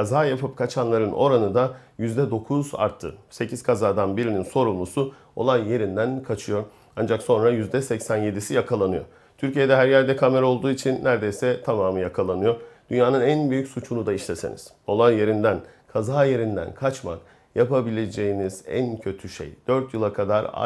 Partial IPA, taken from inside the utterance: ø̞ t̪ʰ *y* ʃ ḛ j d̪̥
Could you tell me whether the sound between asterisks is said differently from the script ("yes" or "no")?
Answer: no